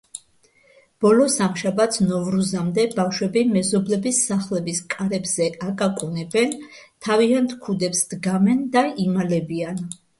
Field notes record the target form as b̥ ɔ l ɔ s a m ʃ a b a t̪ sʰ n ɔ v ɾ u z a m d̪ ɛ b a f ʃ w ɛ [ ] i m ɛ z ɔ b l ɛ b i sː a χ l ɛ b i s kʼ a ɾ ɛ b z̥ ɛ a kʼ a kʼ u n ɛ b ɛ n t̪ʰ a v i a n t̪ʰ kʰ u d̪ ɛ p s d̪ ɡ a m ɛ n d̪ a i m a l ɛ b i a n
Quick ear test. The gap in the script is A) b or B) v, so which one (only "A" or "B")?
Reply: A